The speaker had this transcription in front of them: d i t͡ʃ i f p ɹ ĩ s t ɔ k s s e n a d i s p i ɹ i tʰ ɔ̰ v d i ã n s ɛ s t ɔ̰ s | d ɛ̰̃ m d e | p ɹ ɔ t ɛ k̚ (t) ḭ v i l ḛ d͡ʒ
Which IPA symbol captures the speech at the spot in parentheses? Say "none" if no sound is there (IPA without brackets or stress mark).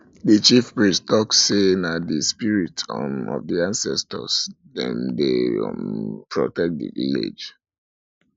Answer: d